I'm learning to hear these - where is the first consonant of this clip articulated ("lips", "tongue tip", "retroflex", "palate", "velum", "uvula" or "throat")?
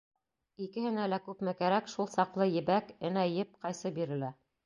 velum